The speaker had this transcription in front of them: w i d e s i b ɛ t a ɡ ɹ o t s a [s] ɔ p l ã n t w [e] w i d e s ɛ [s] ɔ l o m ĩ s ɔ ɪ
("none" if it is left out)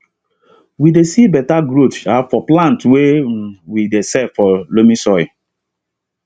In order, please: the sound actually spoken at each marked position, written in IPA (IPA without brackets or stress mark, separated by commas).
f, e, f